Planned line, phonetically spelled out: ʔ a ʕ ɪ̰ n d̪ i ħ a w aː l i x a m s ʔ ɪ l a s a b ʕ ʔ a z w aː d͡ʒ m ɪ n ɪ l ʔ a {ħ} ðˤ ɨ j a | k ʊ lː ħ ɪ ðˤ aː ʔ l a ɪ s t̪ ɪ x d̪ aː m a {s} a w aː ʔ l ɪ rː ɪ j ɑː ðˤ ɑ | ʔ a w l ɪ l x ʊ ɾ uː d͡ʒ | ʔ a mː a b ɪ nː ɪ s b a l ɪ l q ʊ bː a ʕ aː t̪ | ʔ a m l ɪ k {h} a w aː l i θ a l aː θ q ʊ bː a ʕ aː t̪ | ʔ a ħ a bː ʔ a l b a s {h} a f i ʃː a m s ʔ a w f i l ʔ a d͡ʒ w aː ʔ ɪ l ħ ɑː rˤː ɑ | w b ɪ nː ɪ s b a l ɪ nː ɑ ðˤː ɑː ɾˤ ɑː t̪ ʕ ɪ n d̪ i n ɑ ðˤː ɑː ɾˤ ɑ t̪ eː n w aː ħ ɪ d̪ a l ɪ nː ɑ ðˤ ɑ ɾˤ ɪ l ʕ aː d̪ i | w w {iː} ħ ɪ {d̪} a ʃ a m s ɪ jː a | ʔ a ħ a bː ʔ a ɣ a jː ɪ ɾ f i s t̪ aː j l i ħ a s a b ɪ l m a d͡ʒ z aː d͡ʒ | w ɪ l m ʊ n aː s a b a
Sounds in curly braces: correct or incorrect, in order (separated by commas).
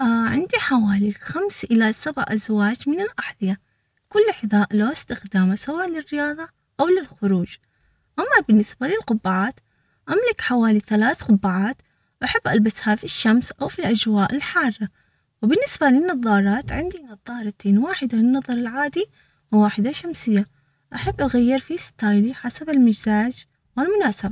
correct, correct, incorrect, correct, incorrect, correct